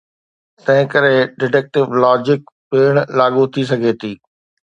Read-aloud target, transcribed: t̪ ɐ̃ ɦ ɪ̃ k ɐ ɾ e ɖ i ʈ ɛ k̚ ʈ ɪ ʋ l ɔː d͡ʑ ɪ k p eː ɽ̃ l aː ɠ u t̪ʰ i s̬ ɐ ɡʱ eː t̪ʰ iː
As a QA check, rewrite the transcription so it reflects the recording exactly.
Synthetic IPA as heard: t̪ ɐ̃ ɦ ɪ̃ k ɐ ɾ e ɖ ɪ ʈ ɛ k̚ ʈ ɪ ʋ l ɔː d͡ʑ ɪ k p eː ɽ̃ l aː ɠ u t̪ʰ i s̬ ɐ ɡʱ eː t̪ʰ iː

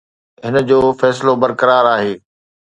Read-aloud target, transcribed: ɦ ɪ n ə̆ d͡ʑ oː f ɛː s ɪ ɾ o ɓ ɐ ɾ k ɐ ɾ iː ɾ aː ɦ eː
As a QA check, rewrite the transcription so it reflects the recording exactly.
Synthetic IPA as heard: ɦ ɪ n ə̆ d͡ʑ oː f ɛː s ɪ l o b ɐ ɾ k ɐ ɾ aː ɾ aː ɦ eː

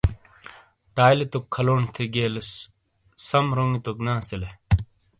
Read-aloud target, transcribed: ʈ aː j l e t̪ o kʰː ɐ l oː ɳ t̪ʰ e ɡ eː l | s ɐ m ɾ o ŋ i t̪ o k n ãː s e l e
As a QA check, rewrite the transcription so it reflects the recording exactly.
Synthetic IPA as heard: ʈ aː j l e t̪ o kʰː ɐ l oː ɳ t̪ʰ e ɡ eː l | s ɐ m ɾ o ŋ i t̪ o k n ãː s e l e

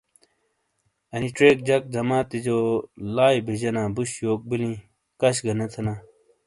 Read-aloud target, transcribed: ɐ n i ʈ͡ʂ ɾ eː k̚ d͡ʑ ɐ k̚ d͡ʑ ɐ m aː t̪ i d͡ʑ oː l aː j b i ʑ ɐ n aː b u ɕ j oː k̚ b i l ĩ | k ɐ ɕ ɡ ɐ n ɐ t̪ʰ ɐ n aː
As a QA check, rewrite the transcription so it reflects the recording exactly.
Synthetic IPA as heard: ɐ n i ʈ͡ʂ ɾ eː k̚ d͡ʑ ɐ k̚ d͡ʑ ɐ m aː t̪ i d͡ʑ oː l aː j b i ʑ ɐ n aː b u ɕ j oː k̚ b i l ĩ | k ɐ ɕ ɡ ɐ n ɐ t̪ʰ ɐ n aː

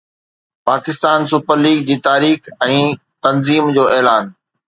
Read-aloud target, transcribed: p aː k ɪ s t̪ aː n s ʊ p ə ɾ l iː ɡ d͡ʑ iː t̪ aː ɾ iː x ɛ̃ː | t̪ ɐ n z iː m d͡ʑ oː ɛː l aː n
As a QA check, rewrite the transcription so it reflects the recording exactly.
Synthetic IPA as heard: p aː k ɪ s t̪ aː n s ʊ p ə ɾ l iː ɡ d͡ʑ iː t̪ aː ɾ iː x ɛ̃ː | t̪ ɐ n z iː m d͡ʑ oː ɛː l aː n

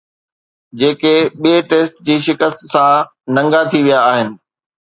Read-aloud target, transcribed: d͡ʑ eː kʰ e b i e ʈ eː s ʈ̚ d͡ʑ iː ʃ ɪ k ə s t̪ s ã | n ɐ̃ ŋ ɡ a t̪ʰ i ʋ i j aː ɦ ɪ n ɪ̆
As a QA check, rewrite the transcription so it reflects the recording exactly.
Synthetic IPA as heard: d͡ʑ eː k e ɓ i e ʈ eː s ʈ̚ d͡ʑ iː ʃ ɪ k ə s t̪ s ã | n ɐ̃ ŋ ɡ a t̪ʰ i ʋ i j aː ɦ ɪ n ɪ̆

